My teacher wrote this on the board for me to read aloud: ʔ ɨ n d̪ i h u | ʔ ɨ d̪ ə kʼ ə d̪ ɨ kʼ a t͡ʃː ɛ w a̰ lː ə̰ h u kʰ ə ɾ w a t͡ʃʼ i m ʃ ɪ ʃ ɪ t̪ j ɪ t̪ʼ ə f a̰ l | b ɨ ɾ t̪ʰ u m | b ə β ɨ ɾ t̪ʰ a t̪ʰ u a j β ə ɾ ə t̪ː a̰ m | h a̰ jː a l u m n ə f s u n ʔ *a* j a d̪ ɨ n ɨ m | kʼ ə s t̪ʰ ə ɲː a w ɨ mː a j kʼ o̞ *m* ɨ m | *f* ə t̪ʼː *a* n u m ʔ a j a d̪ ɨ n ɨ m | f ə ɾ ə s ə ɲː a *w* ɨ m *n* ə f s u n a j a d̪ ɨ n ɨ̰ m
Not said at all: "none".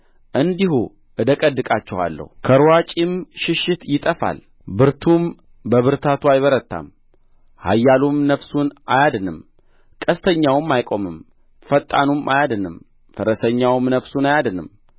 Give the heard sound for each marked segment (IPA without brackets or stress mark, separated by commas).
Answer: a, m, f, a, w, n